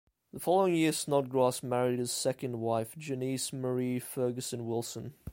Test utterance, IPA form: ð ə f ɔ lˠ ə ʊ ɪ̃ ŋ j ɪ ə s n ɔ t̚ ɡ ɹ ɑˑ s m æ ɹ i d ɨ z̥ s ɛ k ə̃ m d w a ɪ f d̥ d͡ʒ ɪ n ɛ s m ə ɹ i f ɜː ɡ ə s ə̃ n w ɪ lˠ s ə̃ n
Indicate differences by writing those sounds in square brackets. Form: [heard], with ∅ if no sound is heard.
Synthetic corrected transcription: ð ə f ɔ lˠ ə ʊ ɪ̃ ŋ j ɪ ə s n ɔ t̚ ɡ ɹ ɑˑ s m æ ɹ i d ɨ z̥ s ɛ k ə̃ [n] d w a ɪ f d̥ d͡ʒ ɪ n [i] s m ə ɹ i f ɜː ɡ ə s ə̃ n w ɪ lˠ s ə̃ n